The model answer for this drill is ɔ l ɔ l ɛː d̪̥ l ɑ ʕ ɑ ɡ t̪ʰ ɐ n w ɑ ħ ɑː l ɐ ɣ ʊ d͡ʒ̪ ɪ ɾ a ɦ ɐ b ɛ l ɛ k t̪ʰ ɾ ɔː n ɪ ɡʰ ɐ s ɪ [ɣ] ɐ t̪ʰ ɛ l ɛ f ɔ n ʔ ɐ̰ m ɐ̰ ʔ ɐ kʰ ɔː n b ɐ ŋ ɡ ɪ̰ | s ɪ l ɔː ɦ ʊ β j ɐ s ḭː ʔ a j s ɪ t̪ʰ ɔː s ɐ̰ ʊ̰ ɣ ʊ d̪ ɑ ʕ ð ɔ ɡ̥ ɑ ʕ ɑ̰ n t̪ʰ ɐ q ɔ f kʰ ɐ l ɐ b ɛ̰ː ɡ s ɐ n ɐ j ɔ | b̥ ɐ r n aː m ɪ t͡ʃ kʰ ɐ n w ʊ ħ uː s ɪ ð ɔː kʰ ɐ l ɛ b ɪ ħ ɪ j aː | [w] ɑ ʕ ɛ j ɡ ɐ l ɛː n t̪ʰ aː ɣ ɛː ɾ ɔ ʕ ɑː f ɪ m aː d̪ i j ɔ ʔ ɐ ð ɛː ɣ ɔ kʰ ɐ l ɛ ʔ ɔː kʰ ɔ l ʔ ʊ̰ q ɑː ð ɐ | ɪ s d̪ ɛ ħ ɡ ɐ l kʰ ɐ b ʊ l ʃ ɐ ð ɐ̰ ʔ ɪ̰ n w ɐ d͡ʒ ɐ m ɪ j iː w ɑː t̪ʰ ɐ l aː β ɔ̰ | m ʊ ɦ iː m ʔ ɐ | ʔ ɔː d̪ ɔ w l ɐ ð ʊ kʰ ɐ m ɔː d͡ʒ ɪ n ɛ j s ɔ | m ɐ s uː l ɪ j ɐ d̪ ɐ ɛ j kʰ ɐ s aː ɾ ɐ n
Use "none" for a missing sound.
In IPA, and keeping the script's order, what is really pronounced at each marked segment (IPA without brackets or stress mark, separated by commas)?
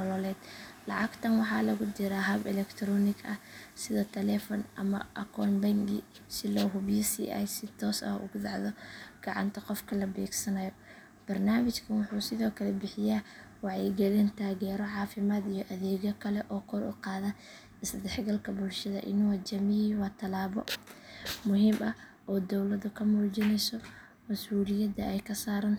ð, w